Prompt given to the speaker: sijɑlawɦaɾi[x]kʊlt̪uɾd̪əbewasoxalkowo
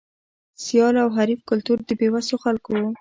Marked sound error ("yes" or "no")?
yes